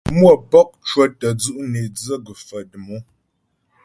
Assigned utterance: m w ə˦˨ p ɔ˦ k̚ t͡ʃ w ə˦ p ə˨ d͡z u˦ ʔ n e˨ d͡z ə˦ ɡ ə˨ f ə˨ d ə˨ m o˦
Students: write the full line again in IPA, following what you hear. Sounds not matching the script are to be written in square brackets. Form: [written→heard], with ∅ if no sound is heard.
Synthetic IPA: m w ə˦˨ p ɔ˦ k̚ t͡ʃ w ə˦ [p→t] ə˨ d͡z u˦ ʔ n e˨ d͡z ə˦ ɡ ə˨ f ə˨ d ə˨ m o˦